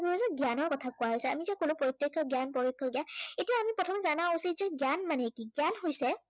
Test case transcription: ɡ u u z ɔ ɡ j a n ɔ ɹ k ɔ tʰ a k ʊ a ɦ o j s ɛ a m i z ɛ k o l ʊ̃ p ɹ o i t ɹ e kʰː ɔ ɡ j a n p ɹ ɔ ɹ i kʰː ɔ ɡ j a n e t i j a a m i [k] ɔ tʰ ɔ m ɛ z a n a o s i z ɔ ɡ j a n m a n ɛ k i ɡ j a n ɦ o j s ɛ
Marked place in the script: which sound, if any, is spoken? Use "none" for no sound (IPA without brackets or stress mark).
p